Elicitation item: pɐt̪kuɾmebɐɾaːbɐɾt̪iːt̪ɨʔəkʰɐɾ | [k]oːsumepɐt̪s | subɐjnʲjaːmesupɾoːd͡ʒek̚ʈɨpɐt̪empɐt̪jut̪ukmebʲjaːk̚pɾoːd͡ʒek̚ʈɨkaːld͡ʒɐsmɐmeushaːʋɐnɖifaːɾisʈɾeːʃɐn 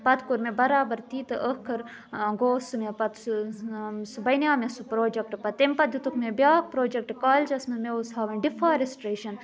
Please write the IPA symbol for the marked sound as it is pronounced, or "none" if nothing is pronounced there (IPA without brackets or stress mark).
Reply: ɡ